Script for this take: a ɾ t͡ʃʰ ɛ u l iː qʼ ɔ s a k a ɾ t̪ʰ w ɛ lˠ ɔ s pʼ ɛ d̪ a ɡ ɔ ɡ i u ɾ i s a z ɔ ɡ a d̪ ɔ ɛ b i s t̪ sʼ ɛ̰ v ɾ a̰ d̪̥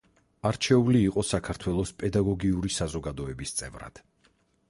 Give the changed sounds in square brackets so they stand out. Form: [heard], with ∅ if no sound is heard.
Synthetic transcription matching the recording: a ɾ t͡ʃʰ ɛ u l iː qʼ ɔ s a [kʰ] a ɾ t̪ʰ w ɛ lˠ ɔ s pʼ ɛ d̪ a ɡ ɔ ɡ i u ɾ i s a z ɔ ɡ a d̪ ɔ ɛ b i s t̪ sʼ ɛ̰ v ɾ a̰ d̪̥

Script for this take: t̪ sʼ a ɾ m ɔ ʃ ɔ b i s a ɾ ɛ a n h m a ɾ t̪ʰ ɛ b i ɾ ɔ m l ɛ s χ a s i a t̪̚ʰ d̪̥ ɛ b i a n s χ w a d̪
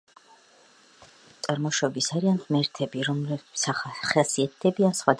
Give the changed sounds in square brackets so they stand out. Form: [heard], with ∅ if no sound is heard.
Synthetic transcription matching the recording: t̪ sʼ a ɾ m ɔ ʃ ɔ b i s a ɾ [i] a n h m [ɛ] ɾ t̪ʰ ɛ b i ɾ ɔ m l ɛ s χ a s i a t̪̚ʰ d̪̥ ɛ b i a n s χ w a d̪

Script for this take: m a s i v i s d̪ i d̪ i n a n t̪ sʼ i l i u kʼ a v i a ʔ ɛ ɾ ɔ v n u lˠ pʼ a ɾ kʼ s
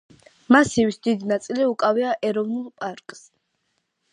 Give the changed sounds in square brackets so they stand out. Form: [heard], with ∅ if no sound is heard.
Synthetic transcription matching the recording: m a s i v i s d̪ i d̪ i n a [∅] t̪ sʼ i l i u kʼ a v i a ʔ ɛ ɾ ɔ v n u lˠ pʼ a ɾ kʼ s

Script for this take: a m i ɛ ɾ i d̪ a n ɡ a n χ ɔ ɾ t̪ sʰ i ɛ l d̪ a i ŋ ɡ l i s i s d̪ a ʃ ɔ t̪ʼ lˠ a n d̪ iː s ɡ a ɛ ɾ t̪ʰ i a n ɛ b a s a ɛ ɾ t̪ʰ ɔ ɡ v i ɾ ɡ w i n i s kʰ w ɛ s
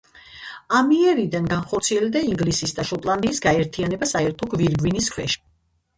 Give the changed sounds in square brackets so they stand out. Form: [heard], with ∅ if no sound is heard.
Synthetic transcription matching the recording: a m i ɛ ɾ i d̪ a n ɡ a n χ ɔ ɾ t̪ sʰ i ɛ l d̪ a i ŋ ɡ l i s i s d̪ a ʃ ɔ t̪ʼ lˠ a n d̪ iː s ɡ a ɛ ɾ t̪ʰ i a n ɛ b a s a ɛ ɾ t̪ʰ ɔ ɡ v i ɾ ɡ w i n i s kʰ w ɛ [ʃ]

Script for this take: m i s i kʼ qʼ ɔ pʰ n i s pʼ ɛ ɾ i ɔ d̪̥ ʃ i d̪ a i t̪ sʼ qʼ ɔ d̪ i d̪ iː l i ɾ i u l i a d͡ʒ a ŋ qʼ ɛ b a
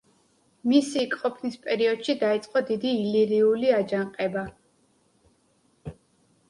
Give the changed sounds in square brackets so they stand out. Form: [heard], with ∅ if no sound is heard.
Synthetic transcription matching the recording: m i s i kʼ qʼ ɔ pʰ n i s pʼ ɛ ɾ i ɔ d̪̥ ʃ i d̪ a i t̪ sʼ qʼ ɔ d̪ i d̪ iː l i ɾ i u l i a d͡ʒ a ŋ qʼ ɛ b a

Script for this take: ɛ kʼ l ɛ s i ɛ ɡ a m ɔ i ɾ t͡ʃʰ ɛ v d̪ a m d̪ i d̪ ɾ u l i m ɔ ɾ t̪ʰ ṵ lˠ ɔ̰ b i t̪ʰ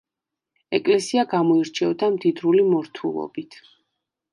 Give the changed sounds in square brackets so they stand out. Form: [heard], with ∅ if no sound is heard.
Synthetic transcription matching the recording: ɛ kʼ l ɛ s i [a] ɡ a m ɔ i ɾ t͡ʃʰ ɛ v d̪ a m d̪ i d̪ ɾ u l i m ɔ ɾ t̪ʰ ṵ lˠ ɔ̰ b i t̪ʰ

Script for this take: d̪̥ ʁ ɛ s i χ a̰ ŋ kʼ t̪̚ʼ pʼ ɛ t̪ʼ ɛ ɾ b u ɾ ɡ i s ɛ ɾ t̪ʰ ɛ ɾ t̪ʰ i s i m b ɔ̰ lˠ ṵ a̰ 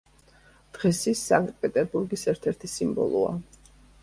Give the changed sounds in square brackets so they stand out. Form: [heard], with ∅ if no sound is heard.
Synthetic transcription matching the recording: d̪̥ ʁ ɛ s i [s] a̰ ŋ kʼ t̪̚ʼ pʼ ɛ t̪ʼ ɛ ɾ b u ɾ ɡ i s ɛ ɾ t̪ʰ ɛ ɾ t̪ʰ i s i m b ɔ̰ lˠ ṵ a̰

